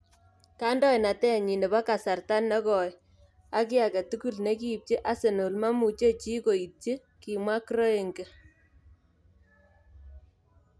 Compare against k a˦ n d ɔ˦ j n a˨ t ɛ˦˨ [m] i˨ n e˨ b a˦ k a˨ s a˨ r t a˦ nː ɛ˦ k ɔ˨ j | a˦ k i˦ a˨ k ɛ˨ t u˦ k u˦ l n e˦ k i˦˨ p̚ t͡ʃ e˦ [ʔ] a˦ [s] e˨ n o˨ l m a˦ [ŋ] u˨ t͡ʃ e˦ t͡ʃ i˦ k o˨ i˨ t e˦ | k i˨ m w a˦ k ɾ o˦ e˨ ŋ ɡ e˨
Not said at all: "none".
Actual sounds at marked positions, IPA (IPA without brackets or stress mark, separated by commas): ɲ, ʔ, s, m